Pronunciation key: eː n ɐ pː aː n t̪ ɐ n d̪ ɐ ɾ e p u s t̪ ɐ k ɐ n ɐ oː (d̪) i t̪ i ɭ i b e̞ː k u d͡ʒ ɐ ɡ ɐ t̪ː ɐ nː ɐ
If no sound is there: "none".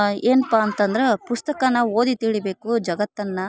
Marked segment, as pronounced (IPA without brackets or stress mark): d̪